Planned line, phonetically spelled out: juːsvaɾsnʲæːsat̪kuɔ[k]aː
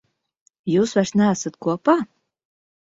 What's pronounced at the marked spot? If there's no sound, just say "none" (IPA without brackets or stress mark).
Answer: p